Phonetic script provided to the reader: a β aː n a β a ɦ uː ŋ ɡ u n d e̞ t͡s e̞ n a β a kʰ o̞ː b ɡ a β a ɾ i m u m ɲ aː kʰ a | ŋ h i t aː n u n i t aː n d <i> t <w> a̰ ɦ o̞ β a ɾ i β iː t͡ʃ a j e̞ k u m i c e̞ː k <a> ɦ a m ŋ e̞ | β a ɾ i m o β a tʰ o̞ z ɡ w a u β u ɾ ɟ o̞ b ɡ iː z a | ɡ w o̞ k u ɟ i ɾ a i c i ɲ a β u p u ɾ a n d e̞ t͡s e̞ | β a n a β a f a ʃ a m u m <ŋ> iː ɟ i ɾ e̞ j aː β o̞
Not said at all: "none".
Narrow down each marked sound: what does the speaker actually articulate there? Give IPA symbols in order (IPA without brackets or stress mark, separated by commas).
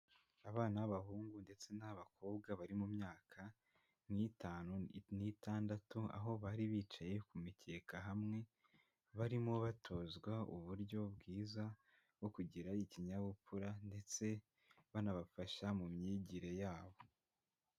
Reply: a, u, a, ɲ